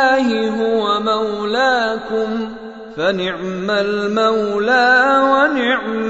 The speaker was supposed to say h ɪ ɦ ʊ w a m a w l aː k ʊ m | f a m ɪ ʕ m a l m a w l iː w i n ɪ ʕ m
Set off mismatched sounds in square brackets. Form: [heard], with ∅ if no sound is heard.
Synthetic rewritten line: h ɪ ɦ ʊ w a m a w l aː k ʊ m | f a [n] ɪ ʕ m a l m a w l [aː] w [a] n ɪ ʕ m